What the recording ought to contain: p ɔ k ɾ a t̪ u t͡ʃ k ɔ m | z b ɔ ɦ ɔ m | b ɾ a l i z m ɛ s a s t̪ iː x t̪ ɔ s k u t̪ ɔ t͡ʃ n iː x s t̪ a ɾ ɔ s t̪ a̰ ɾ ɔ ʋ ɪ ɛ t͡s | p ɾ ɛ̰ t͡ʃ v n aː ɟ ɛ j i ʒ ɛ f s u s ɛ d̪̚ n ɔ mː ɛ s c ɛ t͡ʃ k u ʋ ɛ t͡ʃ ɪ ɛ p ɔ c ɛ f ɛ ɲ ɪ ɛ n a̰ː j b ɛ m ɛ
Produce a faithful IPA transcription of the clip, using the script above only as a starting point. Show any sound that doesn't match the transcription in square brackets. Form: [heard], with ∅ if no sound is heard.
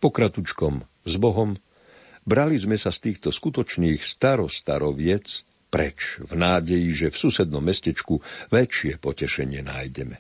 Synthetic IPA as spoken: p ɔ k ɾ a t̪ u t͡ʃ k ɔ m | z b ɔ ɦ ɔ m | b ɾ a l i z m ɛ s a s t̪ iː x t̪ ɔ s k u t̪ ɔ t͡ʃ n iː x s t̪ a ɾ ɔ s t̪ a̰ ɾ ɔ ʋ ɪ ɛ t͡s | p ɾ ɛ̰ t͡ʃ v n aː ɟ ɛ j i ʒ ɛ f s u s ɛ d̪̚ n ɔ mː ɛ s c ɛ t͡ʃ k u ʋ ɛ t͡ʃ ɪ ɛ p ɔ c ɛ [ʃ] ɛ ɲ ɪ ɛ n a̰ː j [ɟ] ɛ m ɛ